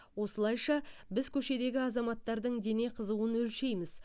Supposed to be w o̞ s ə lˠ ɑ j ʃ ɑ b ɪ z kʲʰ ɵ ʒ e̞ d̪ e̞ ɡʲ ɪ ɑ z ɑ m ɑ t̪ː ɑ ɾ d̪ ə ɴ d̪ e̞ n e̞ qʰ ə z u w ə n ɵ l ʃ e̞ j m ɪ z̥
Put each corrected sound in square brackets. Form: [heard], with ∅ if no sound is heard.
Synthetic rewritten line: w o̞ s ə lˠ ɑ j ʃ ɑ b ɪ z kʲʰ ɵ [ʃ] e̞ d̪ e̞ ɡʲ ɪ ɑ z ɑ m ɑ t̪ː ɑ ɾ d̪ ə ɴ d̪ e̞ n e̞ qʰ ə z u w ə n ɵ l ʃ e̞ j m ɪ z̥

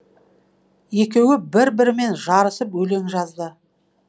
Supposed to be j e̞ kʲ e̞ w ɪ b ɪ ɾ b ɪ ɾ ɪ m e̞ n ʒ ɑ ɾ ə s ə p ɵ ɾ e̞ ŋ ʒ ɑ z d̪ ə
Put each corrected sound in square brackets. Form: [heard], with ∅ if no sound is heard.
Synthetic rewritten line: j e̞ kʲ e̞ w ɪ b ɪ ɾ b ɪ ɾ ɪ m e̞ n ʒ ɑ ɾ ə s ə p ɵ [l] e̞ ŋ ʒ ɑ z d̪ ə

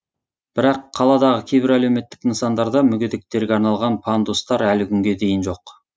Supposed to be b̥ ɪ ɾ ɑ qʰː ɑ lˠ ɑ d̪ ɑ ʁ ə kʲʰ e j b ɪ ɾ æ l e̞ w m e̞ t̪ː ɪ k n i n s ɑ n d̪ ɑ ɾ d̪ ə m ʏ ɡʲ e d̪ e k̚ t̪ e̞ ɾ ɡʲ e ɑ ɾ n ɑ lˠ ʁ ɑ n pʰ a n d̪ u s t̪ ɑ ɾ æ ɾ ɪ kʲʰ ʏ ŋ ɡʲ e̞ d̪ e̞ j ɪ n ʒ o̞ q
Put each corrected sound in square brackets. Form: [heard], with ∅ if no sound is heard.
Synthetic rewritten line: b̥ ɪ ɾ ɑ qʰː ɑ lˠ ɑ d̪ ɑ ʁ ə kʲʰ e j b ɪ ɾ æ l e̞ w m e̞ t̪ː ɪ k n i n s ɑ n d̪ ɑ ɾ d̪ [ɑ] m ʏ ɡʲ e d̪ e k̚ t̪ e̞ ɾ ɡʲ e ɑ ɾ n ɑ lˠ ʁ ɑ n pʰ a n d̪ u s t̪ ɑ ɾ æ [l] ɪ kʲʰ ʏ ŋ ɡʲ e̞ d̪ e̞ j ɪ n ʒ o̞ q

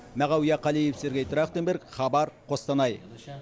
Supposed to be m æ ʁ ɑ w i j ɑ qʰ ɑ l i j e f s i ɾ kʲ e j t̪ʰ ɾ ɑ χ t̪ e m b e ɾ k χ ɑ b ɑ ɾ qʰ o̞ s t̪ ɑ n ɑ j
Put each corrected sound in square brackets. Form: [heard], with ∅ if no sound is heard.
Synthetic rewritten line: m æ ʁ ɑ w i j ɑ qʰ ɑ l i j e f s [e] ɾ [ɡʲ] e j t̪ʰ ɾ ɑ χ t̪ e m b e ɾ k χ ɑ b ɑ ɾ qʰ o̞ s t̪ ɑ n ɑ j

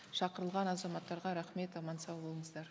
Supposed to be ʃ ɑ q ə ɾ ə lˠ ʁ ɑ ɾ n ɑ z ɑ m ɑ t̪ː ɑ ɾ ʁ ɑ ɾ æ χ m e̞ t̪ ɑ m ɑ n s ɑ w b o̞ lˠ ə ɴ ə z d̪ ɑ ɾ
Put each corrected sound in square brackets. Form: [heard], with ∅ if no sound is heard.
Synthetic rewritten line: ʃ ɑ q ə ɾ ə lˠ ʁ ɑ [∅] n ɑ z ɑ m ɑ t̪ː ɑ ɾ ʁ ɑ ɾ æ χ m e̞ t̪ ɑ m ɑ n s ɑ w b o̞ lˠ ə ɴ ə z d̪ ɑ ɾ

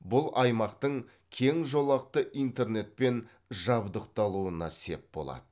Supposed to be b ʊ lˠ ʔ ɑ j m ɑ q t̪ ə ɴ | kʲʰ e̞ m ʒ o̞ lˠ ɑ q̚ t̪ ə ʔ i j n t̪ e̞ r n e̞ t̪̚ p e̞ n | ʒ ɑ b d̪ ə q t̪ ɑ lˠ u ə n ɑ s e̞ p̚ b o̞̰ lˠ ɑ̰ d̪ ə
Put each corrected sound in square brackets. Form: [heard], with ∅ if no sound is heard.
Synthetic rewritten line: b ʊ lˠ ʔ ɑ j m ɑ q t̪ ə ɴ | kʲʰ e̞ [ŋ] ʒ o̞ lˠ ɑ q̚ t̪ ə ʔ i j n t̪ e̞ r n e̞ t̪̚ p e̞ n | ʒ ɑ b d̪ ə q t̪ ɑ lˠ u ə n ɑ s e̞ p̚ b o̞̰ lˠ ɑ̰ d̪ ə

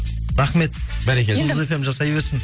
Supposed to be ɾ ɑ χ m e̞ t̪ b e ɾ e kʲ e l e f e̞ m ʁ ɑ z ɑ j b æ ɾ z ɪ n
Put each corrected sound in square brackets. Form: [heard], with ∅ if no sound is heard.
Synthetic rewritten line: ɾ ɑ χ m e̞ t̪ b [æ] ɾ e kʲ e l e f e̞ m [ʒ] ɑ [s] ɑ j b [e] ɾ [s] ɪ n

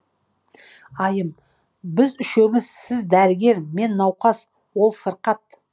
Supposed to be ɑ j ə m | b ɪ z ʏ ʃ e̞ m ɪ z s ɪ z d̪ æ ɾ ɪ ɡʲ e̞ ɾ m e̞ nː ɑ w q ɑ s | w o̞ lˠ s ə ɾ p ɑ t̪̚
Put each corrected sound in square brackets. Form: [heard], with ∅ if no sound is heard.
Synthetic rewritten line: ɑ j ə m | b ɪ z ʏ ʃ e̞ m ɪ z s ɪ z d̪ æ ɾ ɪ ɡʲ e̞ ɾ m e̞ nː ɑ w q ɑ s | w o̞ lˠ s ə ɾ [q] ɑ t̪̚

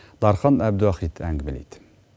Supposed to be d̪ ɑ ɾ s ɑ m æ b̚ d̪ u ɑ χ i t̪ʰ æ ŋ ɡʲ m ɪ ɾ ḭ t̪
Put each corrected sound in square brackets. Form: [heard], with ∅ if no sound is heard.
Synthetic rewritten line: d̪ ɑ ɾ [χ] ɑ [n] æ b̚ d̪ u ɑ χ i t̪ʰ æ ŋ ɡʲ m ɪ [l] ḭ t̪

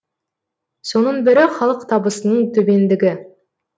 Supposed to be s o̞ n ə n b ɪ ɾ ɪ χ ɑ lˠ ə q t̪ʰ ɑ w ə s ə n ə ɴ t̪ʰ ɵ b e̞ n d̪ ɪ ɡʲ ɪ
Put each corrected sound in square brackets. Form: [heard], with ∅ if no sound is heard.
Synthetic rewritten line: s o̞ n ə n b ɪ ɾ ɪ χ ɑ lˠ ə q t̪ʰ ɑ [b] ə s ə n ə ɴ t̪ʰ ɵ b e̞ n d̪ ɪ ɡʲ ɪ

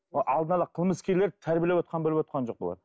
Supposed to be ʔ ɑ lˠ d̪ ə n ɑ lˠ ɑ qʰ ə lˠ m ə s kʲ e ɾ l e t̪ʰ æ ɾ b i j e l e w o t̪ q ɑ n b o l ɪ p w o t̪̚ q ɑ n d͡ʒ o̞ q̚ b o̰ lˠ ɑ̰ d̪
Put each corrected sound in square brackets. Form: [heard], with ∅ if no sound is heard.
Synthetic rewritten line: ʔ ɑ lˠ d̪ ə n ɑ lˠ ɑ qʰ ə lˠ m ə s kʲ e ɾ l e t̪ʰ æ ɾ b i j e l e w o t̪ q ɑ n b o l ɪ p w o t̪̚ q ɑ n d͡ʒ o̞ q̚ b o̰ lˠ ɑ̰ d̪

